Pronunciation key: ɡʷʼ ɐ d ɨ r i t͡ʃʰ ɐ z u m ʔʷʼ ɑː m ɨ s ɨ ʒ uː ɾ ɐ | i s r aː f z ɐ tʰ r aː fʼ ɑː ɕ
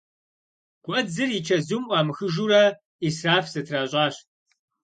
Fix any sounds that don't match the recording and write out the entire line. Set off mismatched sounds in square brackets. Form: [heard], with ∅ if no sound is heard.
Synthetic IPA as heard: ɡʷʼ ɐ [d͡z] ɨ r i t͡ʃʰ ɐ z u m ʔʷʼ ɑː m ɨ [x] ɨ ʒ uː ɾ ɐ | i s r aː f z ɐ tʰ r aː [ɕʼ] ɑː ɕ